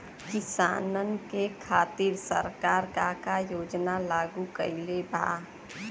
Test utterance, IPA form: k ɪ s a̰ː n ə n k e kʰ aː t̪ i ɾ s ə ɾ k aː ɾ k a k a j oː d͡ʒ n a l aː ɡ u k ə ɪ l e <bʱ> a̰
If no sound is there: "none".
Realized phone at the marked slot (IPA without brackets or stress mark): bʱ